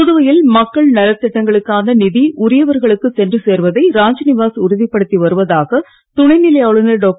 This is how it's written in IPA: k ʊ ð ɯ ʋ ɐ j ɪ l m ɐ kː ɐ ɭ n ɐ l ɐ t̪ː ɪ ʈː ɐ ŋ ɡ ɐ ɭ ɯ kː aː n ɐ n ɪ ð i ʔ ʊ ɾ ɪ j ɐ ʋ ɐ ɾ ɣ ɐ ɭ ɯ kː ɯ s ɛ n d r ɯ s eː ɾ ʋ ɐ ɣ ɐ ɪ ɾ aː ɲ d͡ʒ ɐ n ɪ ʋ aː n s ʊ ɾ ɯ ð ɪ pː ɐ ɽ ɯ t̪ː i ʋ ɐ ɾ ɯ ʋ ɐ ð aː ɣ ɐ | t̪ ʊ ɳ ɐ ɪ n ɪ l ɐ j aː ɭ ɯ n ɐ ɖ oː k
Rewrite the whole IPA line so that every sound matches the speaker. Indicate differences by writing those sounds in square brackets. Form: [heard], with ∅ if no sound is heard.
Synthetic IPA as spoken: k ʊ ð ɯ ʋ ɐ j ɪ l m ɐ kː ɐ ɭ n ɐ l ɐ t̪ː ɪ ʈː ɐ ŋ ɡ ɐ ɭ ɯ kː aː n ɐ n ɪ ð i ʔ ʊ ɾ ɪ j ɐ ʋ ɐ ɾ ɣ ɐ ɭ ɯ kː ɯ s ɛ n d r ɯ s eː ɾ ʋ ɐ [ð] ɐ ɪ ɾ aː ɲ d͡ʒ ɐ n ɪ ʋ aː [∅] s ʊ ɾ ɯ ð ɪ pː ɐ ɽ ɯ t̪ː i ʋ ɐ ɾ ɯ ʋ ɐ ð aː ɣ ɐ | t̪ ʊ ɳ ɐ ɪ n ɪ l ɐ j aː ɭ ɯ n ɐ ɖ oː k

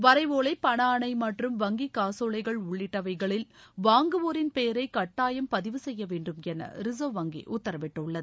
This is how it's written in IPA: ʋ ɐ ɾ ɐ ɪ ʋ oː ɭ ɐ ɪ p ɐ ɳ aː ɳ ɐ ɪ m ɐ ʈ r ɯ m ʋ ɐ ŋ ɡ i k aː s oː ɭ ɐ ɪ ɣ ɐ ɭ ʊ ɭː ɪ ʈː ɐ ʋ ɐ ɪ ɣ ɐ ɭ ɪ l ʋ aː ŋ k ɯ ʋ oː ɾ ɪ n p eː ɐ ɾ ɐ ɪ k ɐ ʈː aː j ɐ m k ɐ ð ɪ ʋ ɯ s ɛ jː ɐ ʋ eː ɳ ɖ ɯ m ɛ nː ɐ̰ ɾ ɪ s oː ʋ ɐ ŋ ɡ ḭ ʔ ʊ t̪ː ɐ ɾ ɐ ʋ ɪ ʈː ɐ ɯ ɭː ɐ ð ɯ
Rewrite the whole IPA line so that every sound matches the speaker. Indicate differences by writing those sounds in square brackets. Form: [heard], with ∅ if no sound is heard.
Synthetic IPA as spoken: ʋ ɐ ɾ ɐ ɪ ʋ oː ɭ ɐ ɪ p ɐ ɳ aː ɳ ɐ ɪ m ɐ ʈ r ɯ m ʋ ɐ ŋ ɡ i k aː s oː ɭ ɐ ɪ ɣ ɐ ɭ ʊ ɭː ɪ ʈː ɐ ʋ ɐ ɪ ɣ ɐ ɭ ɪ l ʋ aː ŋ [ɡ] ɯ ʋ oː ɾ ɪ n p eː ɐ ɾ ɐ ɪ k ɐ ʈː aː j ɐ m [p] ɐ ð ɪ ʋ ɯ s ɛ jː ɐ ʋ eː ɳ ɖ ɯ m ɛ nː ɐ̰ ɾ ɪ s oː ʋ ɐ ŋ ɡ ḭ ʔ ʊ t̪ː ɐ ɾ ɐ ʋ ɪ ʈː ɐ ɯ ɭː ɐ ð ɯ

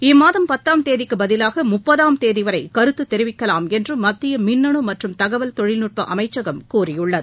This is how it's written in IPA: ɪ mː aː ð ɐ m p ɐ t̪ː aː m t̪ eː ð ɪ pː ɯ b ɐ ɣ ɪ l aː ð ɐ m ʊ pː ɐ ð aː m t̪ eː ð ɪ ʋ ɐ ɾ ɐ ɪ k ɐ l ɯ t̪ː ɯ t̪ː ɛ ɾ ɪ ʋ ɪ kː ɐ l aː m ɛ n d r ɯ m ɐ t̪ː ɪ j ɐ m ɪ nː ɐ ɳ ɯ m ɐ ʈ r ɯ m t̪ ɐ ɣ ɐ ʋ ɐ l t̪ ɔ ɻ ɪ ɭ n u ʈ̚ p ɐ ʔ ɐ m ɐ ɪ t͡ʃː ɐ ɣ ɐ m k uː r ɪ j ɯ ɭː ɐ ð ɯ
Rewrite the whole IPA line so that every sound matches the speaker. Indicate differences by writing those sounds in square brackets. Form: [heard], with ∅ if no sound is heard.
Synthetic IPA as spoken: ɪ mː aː ð ɐ m p ɐ t̪ː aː m t̪ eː ð ɪ [kː] ɯ b ɐ [ð] ɪ l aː [ɣ] ɐ m ʊ pː ɐ ð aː m t̪ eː ð ɪ ʋ ɐ ɾ ɐ ɪ k ɐ [ɾ] ɯ t̪ː ɯ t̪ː ɛ ɾ ɪ ʋ ɪ kː ɐ l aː m ɛ n d r ɯ m ɐ t̪ː ɪ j ɐ m ɪ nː ɐ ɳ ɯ m ɐ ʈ r ɯ m t̪ ɐ ɣ ɐ ʋ ɐ l t̪ ɔ ɻ ɪ [l] n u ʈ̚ p ɐ ʔ ɐ m ɐ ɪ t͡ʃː ɐ ɣ ɐ m k uː r ɪ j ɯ ɭː ɐ ð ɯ

